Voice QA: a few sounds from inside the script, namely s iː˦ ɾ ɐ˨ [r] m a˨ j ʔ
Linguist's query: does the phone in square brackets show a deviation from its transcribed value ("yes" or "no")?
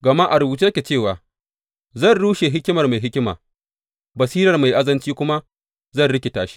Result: no